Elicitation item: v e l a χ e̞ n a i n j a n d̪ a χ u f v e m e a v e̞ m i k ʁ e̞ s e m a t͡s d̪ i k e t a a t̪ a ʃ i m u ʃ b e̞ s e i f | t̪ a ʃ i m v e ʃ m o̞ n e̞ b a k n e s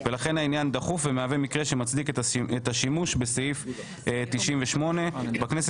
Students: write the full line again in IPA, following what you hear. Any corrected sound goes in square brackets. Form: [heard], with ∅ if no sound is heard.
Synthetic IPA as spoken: v e l a χ e̞ n a i n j a n d̪ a χ u f v e m e a v e̞ m i k ʁ e̞ [ʃ] e m a t͡s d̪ i k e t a [e] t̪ a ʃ i m u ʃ b e̞ s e i f | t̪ [i] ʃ i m v e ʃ m o̞ n e̞ b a k n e s